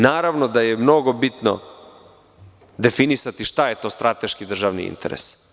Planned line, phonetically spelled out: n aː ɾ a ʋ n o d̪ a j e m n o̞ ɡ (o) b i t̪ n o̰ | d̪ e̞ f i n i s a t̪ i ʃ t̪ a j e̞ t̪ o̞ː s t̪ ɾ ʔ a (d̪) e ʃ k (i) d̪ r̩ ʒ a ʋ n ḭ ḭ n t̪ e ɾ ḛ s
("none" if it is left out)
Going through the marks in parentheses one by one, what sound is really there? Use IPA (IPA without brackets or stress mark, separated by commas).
o, t̪, i